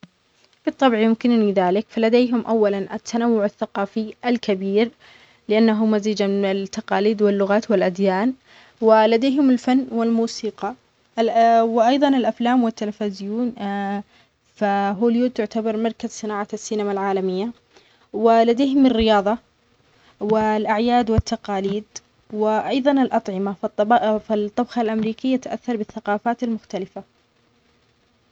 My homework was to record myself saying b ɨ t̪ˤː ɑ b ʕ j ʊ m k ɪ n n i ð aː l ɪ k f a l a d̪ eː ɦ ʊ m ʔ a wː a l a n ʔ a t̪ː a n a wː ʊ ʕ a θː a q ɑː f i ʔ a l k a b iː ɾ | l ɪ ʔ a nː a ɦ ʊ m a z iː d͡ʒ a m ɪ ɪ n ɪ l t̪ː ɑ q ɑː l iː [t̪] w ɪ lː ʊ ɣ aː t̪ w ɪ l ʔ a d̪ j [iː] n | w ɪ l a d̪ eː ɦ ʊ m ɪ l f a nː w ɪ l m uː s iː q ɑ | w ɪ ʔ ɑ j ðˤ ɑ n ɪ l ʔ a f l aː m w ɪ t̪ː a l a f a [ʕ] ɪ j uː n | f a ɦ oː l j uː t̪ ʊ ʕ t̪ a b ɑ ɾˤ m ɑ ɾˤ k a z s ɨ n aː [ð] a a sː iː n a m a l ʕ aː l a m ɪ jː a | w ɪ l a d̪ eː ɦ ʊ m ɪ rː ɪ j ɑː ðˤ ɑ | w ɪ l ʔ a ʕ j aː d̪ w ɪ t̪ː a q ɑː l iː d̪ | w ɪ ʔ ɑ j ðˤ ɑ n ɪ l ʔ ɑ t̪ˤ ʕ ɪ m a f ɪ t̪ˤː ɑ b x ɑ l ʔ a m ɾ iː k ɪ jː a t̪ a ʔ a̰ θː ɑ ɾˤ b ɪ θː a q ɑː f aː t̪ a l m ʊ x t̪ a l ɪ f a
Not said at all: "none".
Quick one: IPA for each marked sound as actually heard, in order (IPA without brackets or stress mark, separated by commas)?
d̪, aː, z, ʕ